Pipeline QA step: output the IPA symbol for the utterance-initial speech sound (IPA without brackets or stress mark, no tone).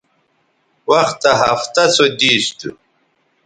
w